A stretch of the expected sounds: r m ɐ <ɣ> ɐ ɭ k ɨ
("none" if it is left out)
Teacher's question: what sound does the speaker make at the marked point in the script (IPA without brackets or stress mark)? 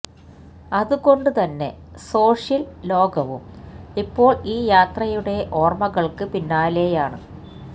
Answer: ɣ